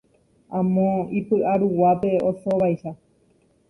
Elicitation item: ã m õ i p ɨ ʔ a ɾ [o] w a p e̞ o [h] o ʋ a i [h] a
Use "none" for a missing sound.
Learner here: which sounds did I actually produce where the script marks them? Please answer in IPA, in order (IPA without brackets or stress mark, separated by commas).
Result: u, s, ʃ